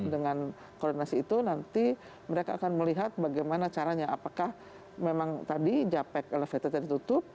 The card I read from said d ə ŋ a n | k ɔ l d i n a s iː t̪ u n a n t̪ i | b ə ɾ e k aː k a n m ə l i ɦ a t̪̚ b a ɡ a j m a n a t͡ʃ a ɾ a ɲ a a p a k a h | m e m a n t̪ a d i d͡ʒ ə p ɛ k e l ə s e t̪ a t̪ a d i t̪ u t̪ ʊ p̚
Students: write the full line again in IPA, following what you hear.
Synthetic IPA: d ə ŋ a n | k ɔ r d i n a s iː t̪ u n a n t̪ i | m ə ɾ e k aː k a n m ə l i ɦ a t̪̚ b a ɡ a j m a n a t͡ʃ a ɾ a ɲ a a p a k a h | m e m a ŋ t̪ a d i d͡ʒ a p ɛ k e l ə f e t̪ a t̪ a d i t̪ u t̪ ʊ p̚